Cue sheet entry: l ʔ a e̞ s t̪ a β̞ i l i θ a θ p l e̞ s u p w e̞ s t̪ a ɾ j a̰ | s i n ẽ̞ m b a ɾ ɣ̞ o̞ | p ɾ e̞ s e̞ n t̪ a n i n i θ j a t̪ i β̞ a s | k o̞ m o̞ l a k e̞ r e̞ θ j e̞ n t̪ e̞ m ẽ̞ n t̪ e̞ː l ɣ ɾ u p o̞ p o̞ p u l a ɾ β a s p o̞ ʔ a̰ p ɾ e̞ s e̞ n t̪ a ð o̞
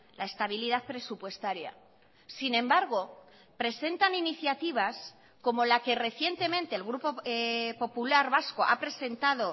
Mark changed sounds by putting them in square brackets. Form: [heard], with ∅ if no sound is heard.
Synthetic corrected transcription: l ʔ a e̞ s t̪ a β̞ i l i [ð] a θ p [ɾ] e̞ s u p w e̞ s t̪ a ɾ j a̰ | s i n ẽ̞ m b a ɾ ɣ̞ o̞ | p ɾ e̞ s e̞ n t̪ a n i n i θ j a t̪ i β̞ a s | k o̞ m o̞ l a k e̞ r e̞ θ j e̞ n t̪ e̞ m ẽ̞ n t̪ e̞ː l ɣ ɾ u p o̞ p o̞ p u l a ɾ β a s [k] o̞ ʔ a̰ p ɾ e̞ s e̞ n t̪ a ð o̞